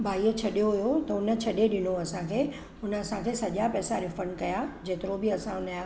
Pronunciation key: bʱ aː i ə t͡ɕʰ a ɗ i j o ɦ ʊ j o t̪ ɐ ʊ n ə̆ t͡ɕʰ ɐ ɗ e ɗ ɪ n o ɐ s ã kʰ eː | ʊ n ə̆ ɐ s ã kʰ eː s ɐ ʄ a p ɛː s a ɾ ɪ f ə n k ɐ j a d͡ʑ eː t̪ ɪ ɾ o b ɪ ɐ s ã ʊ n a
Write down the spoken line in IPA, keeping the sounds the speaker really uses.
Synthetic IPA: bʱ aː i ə t͡ɕʰ ɐ ɗ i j o ɦ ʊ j o t̪ ɐ ʊ n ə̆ t͡ɕʰ ɐ ɗ e ɗ ɪ n o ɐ s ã kʰ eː | ʊ n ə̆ ɐ s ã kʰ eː s ɐ ʄ a p ɛː s a ɾ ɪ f ə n k ɐ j a d͡ʑ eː t̪ ɪ ɾ o b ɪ ɐ s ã ʊ n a